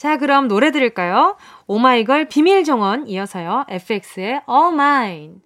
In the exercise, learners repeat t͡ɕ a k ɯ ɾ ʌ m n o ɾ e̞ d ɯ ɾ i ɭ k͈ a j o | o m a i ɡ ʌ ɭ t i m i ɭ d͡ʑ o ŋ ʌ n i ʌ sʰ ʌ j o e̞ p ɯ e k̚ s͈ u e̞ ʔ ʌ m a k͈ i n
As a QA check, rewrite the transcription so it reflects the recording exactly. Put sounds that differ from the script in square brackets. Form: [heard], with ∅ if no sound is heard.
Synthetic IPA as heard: t͡ɕ a k ɯ ɾ ʌ m n o ɾ e̞ d ɯ ɾ i ɭ k͈ a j o | o m a i ɡ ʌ ɭ [p] i m i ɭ d͡ʑ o ŋ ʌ n i ʌ sʰ ʌ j o e̞ [pʰ] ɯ e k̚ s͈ [ɯ] e̞ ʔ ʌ m a [∅] i n